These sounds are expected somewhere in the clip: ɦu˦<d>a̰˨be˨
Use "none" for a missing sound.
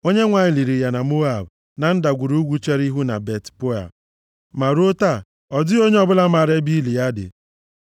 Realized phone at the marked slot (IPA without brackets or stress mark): n